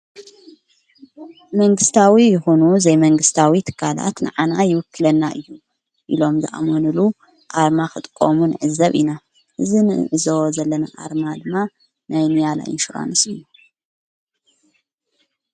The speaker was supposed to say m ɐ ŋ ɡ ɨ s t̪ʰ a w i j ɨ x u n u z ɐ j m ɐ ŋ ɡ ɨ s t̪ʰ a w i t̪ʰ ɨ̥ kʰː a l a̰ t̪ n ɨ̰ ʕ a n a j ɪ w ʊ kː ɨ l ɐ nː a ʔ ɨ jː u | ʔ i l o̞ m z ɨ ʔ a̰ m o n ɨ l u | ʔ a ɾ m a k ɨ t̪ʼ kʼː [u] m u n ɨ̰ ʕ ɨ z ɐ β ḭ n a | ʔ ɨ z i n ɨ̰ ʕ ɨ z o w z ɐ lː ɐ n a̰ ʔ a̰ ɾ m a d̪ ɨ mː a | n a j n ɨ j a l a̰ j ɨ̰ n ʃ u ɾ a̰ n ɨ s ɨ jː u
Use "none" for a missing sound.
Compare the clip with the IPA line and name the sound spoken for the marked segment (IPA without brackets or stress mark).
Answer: o